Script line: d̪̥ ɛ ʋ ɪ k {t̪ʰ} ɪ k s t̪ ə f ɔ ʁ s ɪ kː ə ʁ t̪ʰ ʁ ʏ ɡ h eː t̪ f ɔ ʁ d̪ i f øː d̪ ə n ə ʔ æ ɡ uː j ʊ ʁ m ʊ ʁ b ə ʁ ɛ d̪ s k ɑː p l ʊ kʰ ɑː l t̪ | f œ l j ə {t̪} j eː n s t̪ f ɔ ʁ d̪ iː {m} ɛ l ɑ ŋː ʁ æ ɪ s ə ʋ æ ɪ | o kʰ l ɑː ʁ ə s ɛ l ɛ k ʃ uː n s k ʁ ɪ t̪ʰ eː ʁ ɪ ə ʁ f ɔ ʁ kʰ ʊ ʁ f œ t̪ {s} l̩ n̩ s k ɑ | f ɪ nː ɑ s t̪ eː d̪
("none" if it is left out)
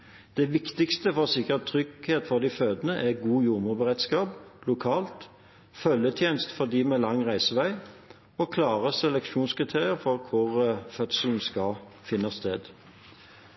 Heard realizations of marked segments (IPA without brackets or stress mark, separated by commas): t̪, t̪ʰ, m, s